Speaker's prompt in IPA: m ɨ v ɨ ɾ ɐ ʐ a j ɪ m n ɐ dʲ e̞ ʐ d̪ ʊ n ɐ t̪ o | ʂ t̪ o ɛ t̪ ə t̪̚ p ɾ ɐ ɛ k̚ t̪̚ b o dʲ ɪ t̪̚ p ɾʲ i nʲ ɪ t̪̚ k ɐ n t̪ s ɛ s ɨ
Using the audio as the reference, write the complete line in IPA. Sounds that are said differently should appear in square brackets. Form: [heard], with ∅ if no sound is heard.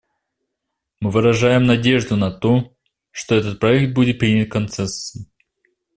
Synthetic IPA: m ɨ v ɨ ɾ ɐ ʐ a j ɪ m n ɐ dʲ e̞ ʐ d̪ ʊ n ɐ t̪ o | ʂ t̪ o ɛ t̪ ə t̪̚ p ɾ ɐ ɛ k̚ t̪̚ b [u] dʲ ɪ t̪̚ p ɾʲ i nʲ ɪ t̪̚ k ɐ n t̪ s ɛ s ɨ

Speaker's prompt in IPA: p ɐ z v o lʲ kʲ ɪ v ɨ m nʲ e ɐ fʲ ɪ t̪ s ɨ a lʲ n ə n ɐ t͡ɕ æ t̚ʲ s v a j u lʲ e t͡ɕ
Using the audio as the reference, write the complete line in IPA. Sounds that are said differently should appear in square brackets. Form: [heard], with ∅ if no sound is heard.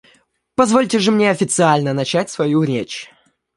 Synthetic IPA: p ɐ z v o lʲ [tʲ] ɪ [ʐ] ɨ m nʲ e ɐ fʲ ɪ t̪ s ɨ a lʲ n ə n ɐ t͡ɕ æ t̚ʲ s v [ɐ] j u [ɾʲ] e t͡ɕ

